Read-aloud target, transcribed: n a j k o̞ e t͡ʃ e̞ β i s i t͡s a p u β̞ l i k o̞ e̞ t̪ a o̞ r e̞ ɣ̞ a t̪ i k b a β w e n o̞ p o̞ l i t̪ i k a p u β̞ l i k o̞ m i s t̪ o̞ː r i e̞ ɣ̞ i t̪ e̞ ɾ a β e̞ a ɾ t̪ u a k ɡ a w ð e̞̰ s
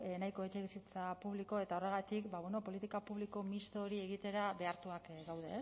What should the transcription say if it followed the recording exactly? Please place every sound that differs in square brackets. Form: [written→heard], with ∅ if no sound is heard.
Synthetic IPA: n a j k o̞ e t͡ʃ e̞ β i s i t͡s a p u β̞ l i k o̞ e̞ t̪ a o̞ r e̞ ɣ̞ a t̪ i k b a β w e n o̞ p o̞ l i t̪ i k a p u β̞ l i k o̞ m i s t̪ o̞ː [r→ɾ] i e̞ ɣ̞ i t̪ e̞ ɾ a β e̞ a ɾ t̪ u a k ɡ a w ð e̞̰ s